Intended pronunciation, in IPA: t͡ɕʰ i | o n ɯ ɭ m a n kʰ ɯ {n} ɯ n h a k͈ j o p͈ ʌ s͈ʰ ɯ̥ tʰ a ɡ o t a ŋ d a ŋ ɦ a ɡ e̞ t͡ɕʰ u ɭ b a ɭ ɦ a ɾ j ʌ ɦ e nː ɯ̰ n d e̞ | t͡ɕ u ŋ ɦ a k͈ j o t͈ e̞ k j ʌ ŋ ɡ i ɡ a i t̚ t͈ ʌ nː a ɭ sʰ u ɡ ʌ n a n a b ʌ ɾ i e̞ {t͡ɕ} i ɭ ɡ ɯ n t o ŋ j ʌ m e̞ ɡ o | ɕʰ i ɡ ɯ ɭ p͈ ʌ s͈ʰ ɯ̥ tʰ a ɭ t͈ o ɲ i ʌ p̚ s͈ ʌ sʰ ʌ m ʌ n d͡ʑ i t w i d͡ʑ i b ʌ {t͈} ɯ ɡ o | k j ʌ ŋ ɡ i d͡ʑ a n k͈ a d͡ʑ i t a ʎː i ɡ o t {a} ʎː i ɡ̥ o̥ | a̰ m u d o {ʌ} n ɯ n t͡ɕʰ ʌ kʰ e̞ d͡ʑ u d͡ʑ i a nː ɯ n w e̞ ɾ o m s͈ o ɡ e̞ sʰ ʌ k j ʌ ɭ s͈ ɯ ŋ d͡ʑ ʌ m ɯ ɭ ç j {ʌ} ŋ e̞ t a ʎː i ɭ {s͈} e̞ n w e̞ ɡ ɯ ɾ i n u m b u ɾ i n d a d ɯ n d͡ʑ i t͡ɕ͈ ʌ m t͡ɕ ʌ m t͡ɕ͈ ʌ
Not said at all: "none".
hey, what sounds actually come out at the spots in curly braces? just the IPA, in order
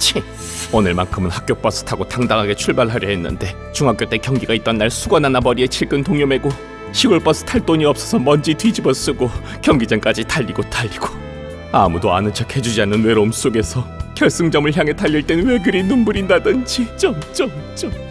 m, t͡ɕʰ, s͈, a, a, a, t͈

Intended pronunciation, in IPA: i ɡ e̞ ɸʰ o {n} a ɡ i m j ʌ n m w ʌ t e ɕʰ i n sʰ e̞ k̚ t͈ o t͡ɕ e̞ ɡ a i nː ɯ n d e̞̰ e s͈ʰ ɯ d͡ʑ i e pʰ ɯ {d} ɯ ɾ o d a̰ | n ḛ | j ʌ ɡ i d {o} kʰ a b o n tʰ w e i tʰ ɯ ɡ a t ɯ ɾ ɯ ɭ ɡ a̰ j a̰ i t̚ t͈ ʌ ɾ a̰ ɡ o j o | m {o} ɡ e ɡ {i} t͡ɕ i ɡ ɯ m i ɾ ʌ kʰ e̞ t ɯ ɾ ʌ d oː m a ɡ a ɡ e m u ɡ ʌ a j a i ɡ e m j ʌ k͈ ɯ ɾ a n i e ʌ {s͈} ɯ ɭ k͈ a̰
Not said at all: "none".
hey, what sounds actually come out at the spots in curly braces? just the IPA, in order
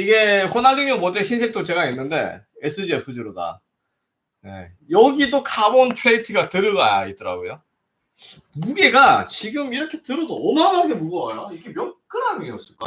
n, d͡ʑ, o, u, a, s͈

